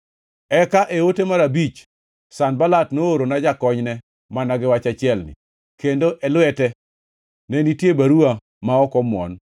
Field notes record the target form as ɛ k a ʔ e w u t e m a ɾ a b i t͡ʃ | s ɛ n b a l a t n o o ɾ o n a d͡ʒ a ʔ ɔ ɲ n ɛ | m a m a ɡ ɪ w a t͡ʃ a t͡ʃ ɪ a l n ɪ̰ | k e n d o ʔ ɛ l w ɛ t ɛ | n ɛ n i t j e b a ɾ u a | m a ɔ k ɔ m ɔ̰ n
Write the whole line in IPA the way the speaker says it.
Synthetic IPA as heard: ɛ k a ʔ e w o t e m a ɾ a b i t͡ʃ | s a n b a l a t n o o ɾ o n a d͡ʒ a k ɔ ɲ n ɛ | m a n a ɡ ɪ w a t͡ʃ a t͡ʃ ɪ ɛ l n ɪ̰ | k e n d o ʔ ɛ l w ɛ t ɛ | n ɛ n i t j e b a ɾ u a | m a ɔ k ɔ m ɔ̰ n